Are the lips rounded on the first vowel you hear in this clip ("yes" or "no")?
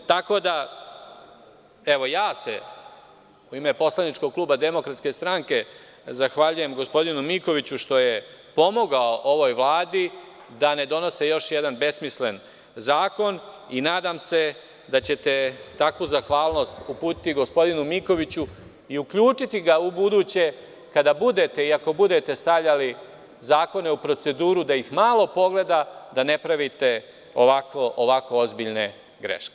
no